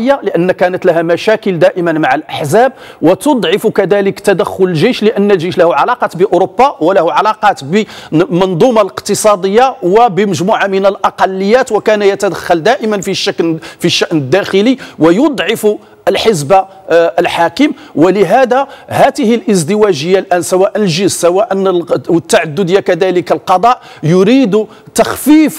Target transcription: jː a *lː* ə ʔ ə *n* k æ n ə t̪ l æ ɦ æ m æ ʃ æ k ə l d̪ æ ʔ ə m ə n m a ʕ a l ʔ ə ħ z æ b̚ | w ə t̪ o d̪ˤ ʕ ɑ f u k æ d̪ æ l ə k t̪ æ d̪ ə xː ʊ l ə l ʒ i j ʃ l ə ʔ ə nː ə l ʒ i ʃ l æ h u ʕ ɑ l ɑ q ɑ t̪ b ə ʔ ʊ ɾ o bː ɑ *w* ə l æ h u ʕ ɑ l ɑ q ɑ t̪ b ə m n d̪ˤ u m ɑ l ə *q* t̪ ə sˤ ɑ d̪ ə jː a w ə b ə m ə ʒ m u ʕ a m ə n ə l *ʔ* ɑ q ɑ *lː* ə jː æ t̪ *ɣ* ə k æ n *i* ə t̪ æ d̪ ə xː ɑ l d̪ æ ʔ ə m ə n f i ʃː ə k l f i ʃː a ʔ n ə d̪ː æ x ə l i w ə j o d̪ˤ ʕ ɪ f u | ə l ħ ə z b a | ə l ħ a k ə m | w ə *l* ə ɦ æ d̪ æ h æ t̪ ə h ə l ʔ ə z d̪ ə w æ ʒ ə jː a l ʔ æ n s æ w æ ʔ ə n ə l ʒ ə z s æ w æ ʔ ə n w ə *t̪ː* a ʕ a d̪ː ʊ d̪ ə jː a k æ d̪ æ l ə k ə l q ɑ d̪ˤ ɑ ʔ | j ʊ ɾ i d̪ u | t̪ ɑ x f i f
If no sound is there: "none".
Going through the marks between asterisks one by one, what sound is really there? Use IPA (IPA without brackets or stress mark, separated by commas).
l, nː, w, q, ʔ, lː, w, j, l, t̪ː